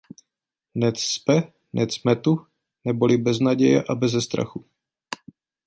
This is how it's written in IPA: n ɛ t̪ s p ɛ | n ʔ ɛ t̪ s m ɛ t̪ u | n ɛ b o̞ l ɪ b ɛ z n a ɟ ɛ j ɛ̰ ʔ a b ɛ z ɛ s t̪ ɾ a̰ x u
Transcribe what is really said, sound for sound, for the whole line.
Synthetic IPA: n ɛ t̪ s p ɛ | n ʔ ɛ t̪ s m ɛ t̪ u | n ɛ b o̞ l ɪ b ɛ z n a ɟ ɛ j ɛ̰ ʔ a b ɛ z ɛ s t̪ ɾ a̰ x u